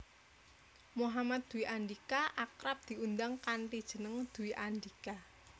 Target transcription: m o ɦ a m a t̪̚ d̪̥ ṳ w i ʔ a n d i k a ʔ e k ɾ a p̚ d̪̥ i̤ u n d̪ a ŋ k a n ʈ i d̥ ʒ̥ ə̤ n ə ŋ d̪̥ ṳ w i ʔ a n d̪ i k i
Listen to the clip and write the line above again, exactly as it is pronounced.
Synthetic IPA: m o ɦ a m a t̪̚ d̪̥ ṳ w i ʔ a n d i k a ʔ a k ɾ a p̚ d̪̥ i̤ u n d̪ a ŋ k a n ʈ i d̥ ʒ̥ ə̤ n ə ŋ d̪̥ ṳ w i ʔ a n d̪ i k a